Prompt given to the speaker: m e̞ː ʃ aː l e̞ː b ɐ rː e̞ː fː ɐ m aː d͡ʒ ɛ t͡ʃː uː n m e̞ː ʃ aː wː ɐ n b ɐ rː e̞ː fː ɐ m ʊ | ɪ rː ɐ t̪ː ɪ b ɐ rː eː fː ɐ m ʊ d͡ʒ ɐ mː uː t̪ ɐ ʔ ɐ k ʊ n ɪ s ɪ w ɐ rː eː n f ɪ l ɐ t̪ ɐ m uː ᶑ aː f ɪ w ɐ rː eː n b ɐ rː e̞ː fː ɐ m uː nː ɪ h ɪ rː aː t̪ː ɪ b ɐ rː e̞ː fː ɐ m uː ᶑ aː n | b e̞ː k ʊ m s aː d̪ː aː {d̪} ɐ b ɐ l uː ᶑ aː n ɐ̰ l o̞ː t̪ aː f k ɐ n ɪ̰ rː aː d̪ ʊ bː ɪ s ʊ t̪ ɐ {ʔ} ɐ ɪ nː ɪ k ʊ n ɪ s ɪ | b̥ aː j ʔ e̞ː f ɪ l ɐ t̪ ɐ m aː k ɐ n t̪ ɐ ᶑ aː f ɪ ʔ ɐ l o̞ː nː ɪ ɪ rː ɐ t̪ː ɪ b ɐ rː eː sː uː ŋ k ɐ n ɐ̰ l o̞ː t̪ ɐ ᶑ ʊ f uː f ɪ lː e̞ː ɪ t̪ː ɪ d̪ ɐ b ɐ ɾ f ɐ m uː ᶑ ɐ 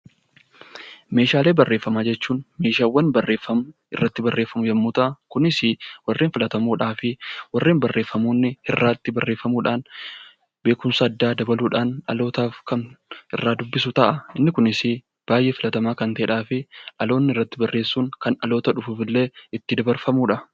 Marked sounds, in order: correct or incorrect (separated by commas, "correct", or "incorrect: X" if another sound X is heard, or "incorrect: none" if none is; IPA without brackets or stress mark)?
correct, correct